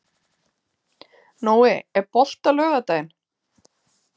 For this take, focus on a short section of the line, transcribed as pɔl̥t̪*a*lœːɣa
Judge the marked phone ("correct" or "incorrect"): correct